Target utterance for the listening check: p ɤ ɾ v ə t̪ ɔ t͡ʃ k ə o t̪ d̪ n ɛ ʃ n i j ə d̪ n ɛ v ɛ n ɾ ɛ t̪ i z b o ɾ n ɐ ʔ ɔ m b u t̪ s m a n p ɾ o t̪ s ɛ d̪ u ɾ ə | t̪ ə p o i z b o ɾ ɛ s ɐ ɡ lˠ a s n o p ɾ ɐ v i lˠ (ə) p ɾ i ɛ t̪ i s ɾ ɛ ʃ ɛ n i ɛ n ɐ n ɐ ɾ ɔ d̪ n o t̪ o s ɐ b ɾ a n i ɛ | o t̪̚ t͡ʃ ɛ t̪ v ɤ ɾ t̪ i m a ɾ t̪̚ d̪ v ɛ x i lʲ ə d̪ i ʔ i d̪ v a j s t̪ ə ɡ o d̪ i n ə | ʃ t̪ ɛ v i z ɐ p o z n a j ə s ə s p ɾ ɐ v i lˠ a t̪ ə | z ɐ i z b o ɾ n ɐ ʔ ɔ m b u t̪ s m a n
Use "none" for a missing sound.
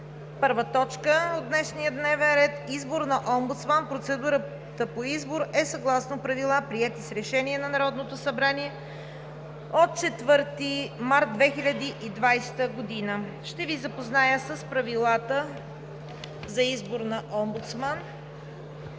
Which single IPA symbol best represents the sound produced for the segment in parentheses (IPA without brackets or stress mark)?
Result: a